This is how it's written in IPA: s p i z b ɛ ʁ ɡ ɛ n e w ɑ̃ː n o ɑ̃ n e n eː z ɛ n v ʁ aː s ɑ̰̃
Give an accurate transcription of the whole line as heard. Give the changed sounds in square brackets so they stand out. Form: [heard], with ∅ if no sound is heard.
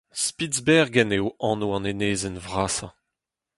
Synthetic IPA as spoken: s p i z b ɛ ʁ ɡ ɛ n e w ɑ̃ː n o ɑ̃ n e n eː z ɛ n v ʁ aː s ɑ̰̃